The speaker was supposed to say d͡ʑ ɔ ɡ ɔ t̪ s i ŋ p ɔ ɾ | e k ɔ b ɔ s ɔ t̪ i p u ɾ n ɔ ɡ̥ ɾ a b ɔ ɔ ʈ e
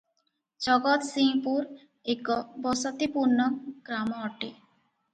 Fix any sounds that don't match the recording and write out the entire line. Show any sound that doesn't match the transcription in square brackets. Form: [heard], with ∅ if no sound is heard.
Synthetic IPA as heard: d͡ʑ ɔ ɡ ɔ t̪ s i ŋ p [u] ɾ | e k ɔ b ɔ s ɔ t̪ i p u ɾ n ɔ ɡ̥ ɾ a [m] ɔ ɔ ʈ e